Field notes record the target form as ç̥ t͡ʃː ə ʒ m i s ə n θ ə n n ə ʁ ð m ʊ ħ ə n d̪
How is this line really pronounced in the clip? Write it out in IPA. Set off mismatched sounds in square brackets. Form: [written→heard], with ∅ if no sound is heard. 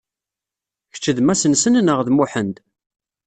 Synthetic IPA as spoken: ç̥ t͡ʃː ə [ʒ→ð] m [i→æ] s ə n [θ→s] ə n n ə ʁ ð m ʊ ħ ə n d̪